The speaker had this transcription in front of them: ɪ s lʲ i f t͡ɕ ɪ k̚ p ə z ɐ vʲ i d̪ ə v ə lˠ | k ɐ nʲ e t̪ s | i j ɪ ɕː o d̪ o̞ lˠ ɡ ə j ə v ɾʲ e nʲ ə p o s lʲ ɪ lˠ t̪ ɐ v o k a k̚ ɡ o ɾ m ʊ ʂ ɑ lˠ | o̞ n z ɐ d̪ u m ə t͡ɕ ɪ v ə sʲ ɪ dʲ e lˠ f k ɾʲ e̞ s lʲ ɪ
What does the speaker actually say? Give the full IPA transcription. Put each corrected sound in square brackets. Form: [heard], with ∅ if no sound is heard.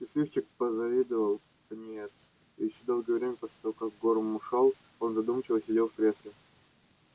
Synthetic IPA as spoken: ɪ s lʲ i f t͡ɕ ɪ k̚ p ə z ɐ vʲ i d̪ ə v ə lˠ | k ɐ nʲ e t̪ s | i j ɪ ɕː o d̪ o̞ lˠ ɡ ə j ə v ɾʲ e [mʲ] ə p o s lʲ ɪ [∅] t̪ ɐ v o k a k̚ ɡ o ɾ m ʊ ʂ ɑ lˠ | o̞ n z ɐ d̪ u m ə t͡ɕ ɪ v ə sʲ ɪ dʲ e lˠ f k ɾʲ e̞ s lʲ ɪ

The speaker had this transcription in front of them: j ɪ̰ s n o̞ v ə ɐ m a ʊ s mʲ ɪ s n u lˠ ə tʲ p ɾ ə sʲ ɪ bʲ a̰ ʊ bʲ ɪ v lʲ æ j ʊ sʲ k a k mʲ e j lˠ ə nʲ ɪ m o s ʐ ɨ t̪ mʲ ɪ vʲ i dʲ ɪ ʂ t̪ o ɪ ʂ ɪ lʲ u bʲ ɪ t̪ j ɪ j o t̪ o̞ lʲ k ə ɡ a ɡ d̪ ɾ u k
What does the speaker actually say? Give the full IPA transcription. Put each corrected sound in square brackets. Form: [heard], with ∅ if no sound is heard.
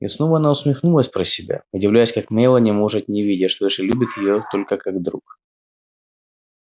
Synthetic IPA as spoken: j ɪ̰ s n o̞ v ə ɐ [n] a ʊ s mʲ ɪ [x] n u lˠ ə [sʲ] p ɾ ə sʲ ɪ bʲ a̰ ʊ [dʲ] ɪ v lʲ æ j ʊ sʲ k a k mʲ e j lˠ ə nʲ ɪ m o [∅] ʐ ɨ t̪ [nʲ] ɪ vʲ i dʲ ɪ ʂ t̪ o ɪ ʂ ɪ lʲ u bʲ ɪ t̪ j ɪ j o t̪ o̞ lʲ k ə [k] a ɡ d̪ ɾ u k

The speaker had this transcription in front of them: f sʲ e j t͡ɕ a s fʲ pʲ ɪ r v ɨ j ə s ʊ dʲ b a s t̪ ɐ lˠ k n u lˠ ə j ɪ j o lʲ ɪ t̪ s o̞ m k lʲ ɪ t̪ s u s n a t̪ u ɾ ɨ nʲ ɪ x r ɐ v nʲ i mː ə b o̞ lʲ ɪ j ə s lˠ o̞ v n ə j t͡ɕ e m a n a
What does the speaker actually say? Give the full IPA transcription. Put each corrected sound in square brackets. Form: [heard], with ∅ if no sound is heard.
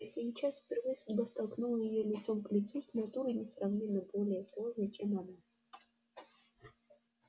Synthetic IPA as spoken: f sʲ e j t͡ɕ a s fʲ pʲ ɪ r v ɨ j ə s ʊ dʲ b a s t̪ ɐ lˠ k n u lˠ ə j ɪ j o lʲ ɪ t̪ s o̞ m k lʲ ɪ t̪ s u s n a t̪ u ɾ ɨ nʲ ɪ [s] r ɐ v nʲ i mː ə b o̞ lʲ ɪ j ə s lˠ o̞ [ʐ] n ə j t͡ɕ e m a n a

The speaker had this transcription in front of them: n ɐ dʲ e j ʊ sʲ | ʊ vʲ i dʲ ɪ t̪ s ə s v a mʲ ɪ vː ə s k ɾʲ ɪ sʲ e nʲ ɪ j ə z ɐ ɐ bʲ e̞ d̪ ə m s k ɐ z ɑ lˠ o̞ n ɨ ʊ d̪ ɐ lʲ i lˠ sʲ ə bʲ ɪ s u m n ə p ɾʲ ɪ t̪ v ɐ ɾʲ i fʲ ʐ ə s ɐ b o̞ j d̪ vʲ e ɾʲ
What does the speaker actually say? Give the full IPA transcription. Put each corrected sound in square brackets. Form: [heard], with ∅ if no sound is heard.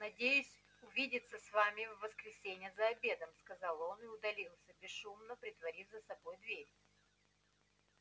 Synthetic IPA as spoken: n ɐ dʲ e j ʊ sʲ | ʊ vʲ i dʲ ɪ t̪ s ə s v a mʲ ɪ vː ə s k ɾʲ ɪ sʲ e nʲ ɪ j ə z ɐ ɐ bʲ e̞ d̪ ə m s k ɐ z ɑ lˠ o̞ n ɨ ʊ d̪ ɐ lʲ i lˠ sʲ ə bʲ ɪ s u m n ə p ɾʲ ɪ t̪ v ɐ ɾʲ i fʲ [z] ə s ɐ b o̞ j d̪ vʲ e ɾʲ

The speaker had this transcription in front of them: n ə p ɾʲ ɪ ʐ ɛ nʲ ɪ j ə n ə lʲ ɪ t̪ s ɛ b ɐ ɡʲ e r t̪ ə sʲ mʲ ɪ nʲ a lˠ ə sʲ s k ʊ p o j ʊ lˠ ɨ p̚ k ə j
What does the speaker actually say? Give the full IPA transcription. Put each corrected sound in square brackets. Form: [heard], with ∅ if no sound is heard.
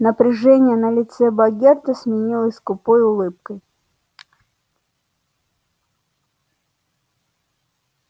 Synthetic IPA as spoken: n ə p ɾʲ ɪ ʐ ɛ nʲ ɪ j ə n ə lʲ ɪ t̪ s ɛ b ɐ ɡʲ e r t̪ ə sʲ mʲ ɪ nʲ [i] lˠ ə sʲ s k ʊ p o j ʊ lˠ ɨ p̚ k ə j

